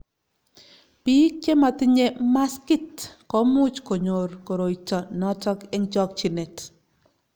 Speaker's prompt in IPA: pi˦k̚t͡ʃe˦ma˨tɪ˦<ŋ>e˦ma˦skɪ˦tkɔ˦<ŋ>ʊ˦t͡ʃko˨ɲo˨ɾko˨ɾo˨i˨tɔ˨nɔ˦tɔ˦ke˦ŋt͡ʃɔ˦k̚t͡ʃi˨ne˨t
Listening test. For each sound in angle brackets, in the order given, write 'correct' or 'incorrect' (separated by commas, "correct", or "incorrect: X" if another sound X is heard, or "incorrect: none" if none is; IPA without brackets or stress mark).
incorrect: ɲ, incorrect: m